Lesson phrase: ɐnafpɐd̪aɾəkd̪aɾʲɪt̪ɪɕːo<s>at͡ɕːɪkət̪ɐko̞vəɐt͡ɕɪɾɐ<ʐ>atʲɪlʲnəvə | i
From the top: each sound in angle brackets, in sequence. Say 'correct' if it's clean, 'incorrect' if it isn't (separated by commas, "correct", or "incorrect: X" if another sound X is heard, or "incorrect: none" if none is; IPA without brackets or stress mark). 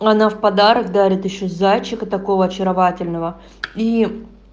incorrect: z, incorrect: v